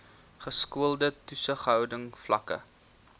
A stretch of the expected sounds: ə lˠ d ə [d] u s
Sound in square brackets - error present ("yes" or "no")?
yes